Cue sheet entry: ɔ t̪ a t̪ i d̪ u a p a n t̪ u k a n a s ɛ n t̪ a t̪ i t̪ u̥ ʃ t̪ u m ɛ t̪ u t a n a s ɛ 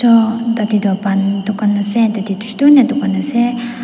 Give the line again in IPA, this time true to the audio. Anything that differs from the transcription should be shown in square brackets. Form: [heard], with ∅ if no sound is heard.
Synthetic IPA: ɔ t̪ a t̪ i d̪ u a p a n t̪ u k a n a s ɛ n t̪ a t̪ i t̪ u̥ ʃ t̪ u [n] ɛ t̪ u [k] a n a s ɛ